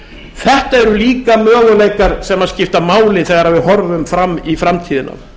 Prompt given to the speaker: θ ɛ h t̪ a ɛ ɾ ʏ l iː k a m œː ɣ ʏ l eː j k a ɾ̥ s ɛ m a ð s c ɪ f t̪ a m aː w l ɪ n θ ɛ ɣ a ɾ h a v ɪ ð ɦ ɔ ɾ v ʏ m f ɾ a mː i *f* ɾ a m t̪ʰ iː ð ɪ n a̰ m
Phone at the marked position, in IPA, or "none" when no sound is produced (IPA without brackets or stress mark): f